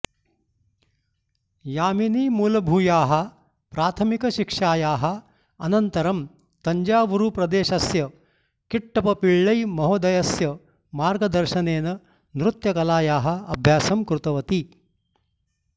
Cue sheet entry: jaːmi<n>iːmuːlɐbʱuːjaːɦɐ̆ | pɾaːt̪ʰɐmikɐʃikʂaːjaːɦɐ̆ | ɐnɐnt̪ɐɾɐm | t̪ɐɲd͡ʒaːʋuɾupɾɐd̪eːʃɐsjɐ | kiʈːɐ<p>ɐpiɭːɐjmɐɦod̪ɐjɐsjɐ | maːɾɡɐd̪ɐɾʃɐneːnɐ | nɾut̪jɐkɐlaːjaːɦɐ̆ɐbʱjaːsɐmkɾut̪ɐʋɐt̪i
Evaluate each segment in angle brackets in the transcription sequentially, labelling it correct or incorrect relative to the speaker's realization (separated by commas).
correct, correct